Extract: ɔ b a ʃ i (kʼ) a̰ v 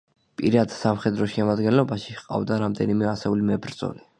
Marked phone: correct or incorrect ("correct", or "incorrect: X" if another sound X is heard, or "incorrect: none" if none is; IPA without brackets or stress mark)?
incorrect: qʼ